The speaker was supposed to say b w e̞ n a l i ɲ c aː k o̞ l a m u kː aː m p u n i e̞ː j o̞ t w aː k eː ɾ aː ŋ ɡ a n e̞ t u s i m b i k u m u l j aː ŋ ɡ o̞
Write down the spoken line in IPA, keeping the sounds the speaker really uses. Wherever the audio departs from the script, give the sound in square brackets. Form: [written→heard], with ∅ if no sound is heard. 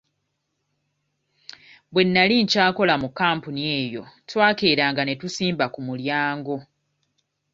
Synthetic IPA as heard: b w e̞ [n→nː] a l i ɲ c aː k o̞ l a m u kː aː m p u n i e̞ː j o̞ t w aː k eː ɾ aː ŋ ɡ a n e̞ t u s [i→iː] m b [i→a] k u m u l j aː ŋ ɡ o̞

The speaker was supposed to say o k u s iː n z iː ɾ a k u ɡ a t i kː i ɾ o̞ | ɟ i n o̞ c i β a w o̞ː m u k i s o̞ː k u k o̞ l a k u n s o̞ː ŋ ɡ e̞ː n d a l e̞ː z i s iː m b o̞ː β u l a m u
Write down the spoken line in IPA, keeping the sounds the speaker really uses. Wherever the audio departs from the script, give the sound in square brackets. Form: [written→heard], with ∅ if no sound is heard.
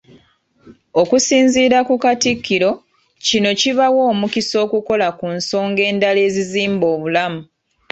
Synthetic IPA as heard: o k u s iː n z iː ɾ a k u [ɡ→k] a t i kː i ɾ o̞ | [ɟ→c] i n o̞ c i β a w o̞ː m u k i s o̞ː k u k o̞ l a k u n s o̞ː ŋ ɡ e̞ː n d a l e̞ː z i [s→z] iː m b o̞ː β u l a m u

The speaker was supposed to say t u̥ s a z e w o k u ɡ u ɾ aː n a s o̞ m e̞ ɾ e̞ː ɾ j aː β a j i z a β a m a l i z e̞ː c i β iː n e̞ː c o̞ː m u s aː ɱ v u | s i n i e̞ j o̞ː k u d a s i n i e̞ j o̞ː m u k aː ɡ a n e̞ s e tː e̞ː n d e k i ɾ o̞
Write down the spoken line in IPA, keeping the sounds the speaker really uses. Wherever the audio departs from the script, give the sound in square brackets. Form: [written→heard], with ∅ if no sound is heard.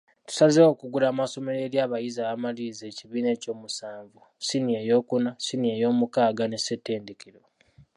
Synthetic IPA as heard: t u̥ s a z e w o k u ɡ u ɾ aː [n→m] a s o̞ m e̞ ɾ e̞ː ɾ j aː β a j i z a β a m a l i z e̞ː c i β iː n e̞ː c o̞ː m u s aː ɱ v u | s i n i e̞ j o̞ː k u [d→n] a s i n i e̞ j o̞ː m u k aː ɡ a n e̞ s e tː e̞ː n d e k i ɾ o̞

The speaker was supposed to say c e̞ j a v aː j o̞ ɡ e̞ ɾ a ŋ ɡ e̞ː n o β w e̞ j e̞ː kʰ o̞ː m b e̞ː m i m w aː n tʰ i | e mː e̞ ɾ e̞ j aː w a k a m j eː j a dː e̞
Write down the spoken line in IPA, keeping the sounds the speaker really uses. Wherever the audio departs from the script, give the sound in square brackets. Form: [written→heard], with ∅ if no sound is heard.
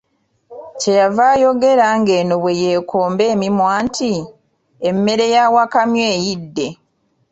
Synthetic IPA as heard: c e̞ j a v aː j o̞ ɡ e̞ ɾ a ŋ ɡ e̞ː n o β w e̞ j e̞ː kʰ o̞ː m b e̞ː m i m w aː n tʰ i | e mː e̞ ɾ e̞ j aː w a k a m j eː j [a→i] dː e̞

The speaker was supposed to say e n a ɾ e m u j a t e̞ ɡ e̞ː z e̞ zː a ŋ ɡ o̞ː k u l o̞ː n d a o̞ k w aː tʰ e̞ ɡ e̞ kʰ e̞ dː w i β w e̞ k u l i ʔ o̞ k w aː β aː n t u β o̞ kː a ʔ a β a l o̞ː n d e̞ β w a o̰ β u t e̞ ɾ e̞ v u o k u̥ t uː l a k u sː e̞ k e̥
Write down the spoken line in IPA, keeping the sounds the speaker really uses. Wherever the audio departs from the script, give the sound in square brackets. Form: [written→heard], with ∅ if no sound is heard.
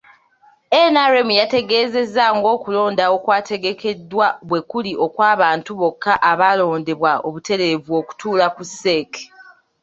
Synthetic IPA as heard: e n a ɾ e m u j a t e̞ ɡ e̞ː z e̞ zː a ŋ ɡ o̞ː k u l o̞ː n d a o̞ k w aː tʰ e̞ ɡ e̞ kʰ e̞ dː w [i→a] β w e̞ k u l i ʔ o̞ k w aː β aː n t u β o̞ kː a ʔ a β a l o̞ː n d e̞ β w a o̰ β u t e̞ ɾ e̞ v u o k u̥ t uː l a k u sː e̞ k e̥

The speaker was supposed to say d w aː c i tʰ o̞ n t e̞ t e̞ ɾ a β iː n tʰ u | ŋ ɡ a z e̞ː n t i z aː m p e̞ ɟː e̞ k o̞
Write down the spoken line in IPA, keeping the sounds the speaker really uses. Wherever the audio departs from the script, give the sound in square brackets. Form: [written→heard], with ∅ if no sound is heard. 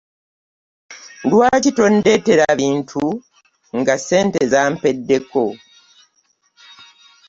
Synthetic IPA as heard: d w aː c i [tʰ→t] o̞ n [t→d] e̞ t e̞ ɾ a β iː n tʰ u | ŋ ɡ a [z→s] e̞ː n t [i→e] z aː m p e̞ [ɟː→dː] e̞ k o̞

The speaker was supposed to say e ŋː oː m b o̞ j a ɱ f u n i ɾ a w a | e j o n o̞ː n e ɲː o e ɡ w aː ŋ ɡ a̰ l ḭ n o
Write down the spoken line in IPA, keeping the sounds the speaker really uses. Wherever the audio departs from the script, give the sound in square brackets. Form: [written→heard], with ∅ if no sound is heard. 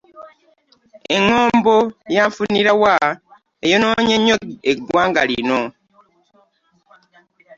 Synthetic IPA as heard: e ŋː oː m b o̞ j a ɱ f u n i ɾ a w a | e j o n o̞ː [n→ɲ] e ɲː o e ɡ w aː ŋ ɡ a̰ l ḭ n o

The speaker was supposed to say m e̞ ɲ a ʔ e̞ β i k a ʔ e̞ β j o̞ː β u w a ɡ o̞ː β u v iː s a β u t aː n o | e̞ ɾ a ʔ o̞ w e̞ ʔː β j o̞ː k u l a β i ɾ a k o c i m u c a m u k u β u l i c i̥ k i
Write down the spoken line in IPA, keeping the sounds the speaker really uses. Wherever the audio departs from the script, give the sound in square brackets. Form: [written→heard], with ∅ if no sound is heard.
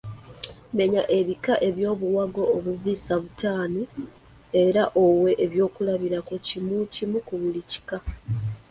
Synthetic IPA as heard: m e̞ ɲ a ʔ e̞ β i k a ʔ e̞ β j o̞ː β u w a ɡ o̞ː β u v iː s a β u t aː n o | e̞ ɾ a ʔ o̞ w e̞ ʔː β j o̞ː k u l a β i ɾ a k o c i m u c [a→i] m u k u β u l i c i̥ k [i→a]

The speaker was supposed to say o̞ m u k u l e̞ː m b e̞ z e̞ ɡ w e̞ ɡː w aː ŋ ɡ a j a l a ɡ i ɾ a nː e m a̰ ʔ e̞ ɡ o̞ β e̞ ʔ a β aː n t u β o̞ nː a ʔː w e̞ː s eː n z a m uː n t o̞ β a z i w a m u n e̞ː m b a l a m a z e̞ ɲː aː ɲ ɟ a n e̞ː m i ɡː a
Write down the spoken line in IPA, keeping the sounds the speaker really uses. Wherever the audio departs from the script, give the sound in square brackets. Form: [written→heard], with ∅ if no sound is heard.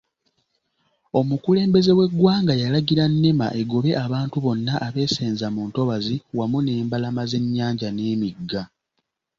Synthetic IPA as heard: o̞ m u k u l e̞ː m b e̞ z e̞ [ɡ→∅] w e̞ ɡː w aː ŋ ɡ a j a l a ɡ i ɾ a nː e m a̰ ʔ e̞ ɡ o̞ β e̞ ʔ a β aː n t u β o̞ nː a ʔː [w→β] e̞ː s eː n z a m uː n t o̞ β a z i w a m u n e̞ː m b a l a m a z e̞ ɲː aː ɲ ɟ a n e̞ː m i ɡː a

